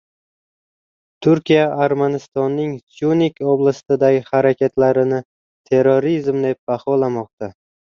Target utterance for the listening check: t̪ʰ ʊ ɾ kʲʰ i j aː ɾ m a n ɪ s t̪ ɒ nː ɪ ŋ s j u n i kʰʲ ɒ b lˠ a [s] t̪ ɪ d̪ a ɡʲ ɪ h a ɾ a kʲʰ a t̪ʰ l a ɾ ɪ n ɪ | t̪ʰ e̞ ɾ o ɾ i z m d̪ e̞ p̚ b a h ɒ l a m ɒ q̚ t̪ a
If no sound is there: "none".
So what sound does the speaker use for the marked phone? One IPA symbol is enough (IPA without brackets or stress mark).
s